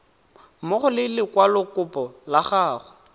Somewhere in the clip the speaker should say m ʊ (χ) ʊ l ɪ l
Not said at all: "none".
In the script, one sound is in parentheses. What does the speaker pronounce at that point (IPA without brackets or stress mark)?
χ